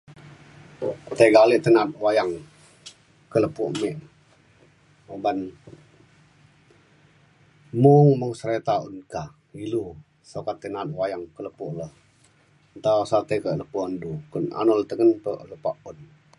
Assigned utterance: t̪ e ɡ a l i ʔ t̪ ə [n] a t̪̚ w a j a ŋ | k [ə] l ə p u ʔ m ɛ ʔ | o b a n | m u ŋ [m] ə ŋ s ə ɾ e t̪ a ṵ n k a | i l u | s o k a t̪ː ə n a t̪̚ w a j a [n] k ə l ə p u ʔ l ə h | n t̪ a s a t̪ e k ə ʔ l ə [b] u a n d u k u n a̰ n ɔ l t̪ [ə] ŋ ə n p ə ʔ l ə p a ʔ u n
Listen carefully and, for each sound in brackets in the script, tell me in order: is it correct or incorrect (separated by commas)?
correct, correct, correct, incorrect, incorrect, correct